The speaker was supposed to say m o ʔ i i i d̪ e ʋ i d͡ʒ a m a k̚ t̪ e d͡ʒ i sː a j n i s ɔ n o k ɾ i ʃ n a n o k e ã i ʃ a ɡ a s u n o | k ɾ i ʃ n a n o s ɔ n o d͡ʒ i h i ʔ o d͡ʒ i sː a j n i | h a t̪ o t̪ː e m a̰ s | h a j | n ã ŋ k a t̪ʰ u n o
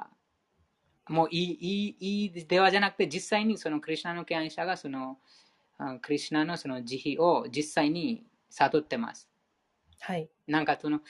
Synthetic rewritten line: m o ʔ i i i d̪ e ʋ a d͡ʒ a n a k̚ t̪ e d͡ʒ i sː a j n i s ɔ n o k ɾ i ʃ n a n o k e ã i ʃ a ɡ a s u n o | k ɾ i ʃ n a n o s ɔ n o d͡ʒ i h i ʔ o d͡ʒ i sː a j n i | s a t̪ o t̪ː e m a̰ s | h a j | n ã ŋ k a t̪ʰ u n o